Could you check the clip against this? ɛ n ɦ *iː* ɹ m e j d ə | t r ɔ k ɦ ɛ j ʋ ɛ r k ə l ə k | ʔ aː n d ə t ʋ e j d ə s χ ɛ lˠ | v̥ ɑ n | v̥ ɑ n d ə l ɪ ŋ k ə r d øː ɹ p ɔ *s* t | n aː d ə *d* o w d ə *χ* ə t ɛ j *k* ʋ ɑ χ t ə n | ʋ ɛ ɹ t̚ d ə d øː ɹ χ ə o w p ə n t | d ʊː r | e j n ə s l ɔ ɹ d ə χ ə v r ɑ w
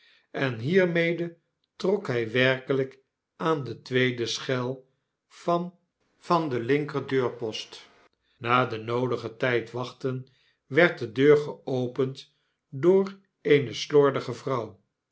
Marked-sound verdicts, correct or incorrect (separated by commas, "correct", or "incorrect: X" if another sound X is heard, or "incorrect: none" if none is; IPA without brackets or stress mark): correct, correct, incorrect: n, correct, incorrect: t